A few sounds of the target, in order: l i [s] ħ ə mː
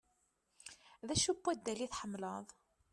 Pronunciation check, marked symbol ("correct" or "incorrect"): incorrect